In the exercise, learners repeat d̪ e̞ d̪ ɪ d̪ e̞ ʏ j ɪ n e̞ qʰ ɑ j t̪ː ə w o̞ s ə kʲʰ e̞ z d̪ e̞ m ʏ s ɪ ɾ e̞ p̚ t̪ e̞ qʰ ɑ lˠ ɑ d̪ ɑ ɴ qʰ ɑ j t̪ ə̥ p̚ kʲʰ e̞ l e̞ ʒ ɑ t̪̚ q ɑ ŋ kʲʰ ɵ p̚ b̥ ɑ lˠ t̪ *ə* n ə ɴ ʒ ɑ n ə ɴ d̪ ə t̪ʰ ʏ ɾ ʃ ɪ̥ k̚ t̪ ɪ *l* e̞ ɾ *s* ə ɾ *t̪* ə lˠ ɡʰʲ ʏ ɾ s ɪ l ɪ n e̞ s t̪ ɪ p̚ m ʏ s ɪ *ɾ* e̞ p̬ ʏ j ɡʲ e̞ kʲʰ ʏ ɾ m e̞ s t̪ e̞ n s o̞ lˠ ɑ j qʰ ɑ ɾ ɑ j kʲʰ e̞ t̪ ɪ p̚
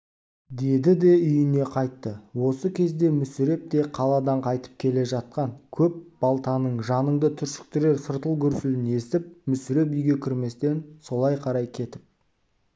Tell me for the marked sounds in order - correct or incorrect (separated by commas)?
incorrect, incorrect, correct, correct, correct